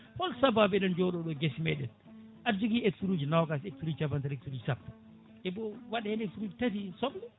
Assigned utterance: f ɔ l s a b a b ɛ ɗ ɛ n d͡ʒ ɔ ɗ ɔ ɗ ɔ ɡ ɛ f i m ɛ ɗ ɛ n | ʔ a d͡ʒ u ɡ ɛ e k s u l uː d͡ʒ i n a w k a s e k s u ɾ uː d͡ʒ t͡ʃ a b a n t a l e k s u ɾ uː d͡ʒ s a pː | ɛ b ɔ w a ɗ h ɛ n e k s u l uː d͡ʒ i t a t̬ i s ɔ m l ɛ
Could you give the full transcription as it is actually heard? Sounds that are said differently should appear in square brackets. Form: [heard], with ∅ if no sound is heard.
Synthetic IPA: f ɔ l s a b a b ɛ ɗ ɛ n d͡ʒ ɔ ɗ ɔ ɗ ɔ ɡ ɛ [s] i m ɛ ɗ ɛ n | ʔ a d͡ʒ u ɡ [i] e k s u [ɾ] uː d͡ʒ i n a w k a s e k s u ɾ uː d͡ʒ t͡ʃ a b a n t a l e k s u ɾ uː d͡ʒ s a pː | ɛ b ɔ w a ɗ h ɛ n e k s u [ɾ] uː d͡ʒ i t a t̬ i s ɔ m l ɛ